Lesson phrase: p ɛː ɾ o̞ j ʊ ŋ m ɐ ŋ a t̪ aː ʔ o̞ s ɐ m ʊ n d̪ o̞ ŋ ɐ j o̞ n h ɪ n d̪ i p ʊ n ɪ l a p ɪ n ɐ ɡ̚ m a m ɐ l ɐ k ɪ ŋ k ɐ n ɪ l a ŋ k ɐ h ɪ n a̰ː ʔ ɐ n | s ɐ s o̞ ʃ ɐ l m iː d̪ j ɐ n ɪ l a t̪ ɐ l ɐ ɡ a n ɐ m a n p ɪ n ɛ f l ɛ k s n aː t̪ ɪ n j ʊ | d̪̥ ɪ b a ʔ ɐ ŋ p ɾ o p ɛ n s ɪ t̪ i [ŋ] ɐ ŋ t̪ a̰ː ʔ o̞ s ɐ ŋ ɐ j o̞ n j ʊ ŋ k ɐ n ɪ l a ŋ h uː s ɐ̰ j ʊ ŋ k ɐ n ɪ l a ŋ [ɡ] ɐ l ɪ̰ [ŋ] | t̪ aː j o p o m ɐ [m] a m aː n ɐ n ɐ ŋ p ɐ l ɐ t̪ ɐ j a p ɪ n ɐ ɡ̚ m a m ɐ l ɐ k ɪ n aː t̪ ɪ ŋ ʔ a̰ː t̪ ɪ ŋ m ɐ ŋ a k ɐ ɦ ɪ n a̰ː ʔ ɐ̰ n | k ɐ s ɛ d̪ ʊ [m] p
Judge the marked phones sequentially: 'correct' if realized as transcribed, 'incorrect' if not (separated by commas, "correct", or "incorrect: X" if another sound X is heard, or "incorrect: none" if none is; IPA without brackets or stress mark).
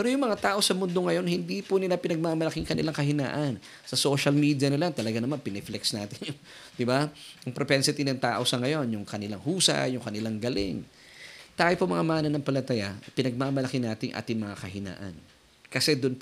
incorrect: n, correct, correct, incorrect: ŋ, incorrect: n